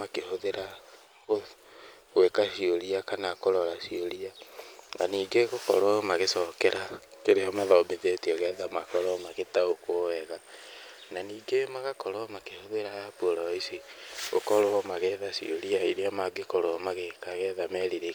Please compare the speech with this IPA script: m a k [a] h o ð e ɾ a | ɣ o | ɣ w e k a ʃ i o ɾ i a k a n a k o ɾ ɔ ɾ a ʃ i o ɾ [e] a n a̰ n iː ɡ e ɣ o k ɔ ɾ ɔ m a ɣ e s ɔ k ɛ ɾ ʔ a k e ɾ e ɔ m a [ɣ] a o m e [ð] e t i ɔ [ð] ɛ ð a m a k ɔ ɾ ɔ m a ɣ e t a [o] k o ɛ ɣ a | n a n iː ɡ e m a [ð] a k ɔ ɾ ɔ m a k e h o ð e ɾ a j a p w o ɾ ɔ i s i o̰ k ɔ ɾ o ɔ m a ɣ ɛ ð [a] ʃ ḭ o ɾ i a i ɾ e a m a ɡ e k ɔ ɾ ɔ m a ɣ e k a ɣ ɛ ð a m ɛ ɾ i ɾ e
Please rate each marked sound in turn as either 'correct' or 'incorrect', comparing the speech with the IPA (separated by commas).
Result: incorrect, incorrect, incorrect, correct, incorrect, correct, incorrect, correct